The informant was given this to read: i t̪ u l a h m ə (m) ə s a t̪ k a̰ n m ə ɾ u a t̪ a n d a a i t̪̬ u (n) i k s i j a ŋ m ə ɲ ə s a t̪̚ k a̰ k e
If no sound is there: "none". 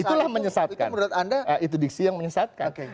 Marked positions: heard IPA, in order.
ɲ, d

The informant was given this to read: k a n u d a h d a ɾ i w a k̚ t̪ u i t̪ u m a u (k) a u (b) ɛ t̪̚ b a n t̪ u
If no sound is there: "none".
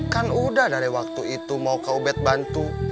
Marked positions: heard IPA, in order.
k, b

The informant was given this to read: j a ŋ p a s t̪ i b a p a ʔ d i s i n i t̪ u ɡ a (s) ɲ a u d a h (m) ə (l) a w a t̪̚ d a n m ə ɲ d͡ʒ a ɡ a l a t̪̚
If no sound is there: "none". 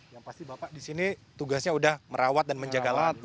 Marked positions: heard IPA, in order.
s, m, ɾ

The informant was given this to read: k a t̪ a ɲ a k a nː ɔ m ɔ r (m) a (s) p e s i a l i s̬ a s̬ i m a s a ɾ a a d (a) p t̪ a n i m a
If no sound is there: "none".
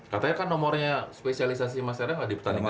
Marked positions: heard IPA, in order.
ɲ, s, i

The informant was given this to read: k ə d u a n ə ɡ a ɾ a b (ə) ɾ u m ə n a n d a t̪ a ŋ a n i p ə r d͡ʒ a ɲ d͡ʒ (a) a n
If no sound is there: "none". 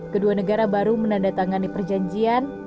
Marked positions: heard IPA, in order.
a, i

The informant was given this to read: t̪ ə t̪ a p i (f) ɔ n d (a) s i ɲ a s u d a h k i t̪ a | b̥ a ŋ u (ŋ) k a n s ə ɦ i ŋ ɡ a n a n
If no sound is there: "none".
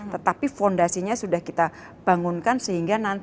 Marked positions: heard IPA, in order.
f, a, n

